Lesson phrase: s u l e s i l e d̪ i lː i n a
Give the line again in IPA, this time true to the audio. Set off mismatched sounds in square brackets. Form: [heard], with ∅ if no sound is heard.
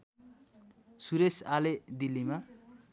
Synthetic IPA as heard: s u [ɾ] e s [a] l e d̪ i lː i [m] a